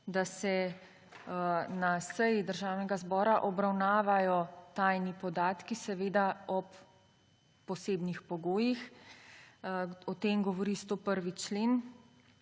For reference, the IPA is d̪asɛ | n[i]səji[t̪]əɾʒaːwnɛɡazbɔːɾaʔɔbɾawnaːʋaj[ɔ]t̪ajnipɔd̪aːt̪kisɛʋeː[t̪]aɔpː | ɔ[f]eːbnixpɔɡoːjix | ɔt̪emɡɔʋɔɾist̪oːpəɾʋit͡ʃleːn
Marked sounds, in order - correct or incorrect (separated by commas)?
incorrect, incorrect, correct, incorrect, incorrect